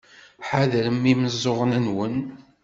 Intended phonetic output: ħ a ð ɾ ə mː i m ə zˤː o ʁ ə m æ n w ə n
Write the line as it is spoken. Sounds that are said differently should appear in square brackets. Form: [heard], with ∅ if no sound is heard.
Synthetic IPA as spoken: ħ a ð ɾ ə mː i m ə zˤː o ʁ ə [n] æ n w ə n